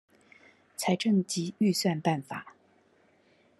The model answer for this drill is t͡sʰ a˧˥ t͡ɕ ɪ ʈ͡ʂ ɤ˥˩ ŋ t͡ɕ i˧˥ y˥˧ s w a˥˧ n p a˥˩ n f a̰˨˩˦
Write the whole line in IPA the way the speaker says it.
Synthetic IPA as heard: t͡sʰ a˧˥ ɪ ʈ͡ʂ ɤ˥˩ ŋ t͡ɕ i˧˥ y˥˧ s w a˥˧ n p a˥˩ n f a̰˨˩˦